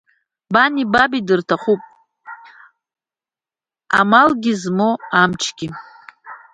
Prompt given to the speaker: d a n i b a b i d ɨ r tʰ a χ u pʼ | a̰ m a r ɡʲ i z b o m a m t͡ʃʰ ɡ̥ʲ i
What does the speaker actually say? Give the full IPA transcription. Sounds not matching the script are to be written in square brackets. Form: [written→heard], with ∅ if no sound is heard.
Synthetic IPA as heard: [d→b] a n i b a b i d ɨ r tʰ a χ u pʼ | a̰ m a [r→l] ɡʲ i z [b→m] o [m→∅] a m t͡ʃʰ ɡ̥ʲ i